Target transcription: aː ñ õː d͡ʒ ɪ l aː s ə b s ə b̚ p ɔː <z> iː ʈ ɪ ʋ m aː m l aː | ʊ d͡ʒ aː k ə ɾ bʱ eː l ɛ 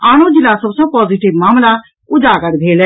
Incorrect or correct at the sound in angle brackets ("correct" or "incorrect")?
correct